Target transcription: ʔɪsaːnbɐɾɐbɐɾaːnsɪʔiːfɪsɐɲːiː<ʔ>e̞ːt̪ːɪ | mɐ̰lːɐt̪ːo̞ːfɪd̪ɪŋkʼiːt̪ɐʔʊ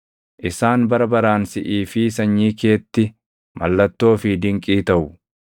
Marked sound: incorrect: k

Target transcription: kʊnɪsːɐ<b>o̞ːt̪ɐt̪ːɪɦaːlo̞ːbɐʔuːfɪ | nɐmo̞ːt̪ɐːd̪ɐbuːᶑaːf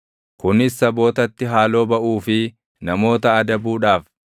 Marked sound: correct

